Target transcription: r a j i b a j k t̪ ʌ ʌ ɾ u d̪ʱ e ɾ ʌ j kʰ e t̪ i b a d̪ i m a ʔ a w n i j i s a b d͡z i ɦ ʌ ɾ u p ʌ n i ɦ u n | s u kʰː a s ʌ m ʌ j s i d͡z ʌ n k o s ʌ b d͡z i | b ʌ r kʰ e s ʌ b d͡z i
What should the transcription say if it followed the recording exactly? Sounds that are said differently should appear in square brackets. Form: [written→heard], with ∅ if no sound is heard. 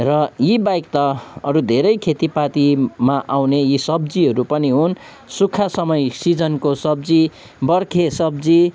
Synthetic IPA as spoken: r [a→ʌ] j i b a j k t̪ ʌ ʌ ɾ u d̪ʱ e ɾ ʌ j kʰ e t̪ i [b→p] a [d̪→t̪] i m a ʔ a w n [i→e] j i s [a→ʌ] b d͡z i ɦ ʌ ɾ u p ʌ n i ɦ u n | s u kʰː a s ʌ m ʌ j s i d͡z ʌ n k o s ʌ b d͡z i | b ʌ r kʰ e s ʌ b d͡z i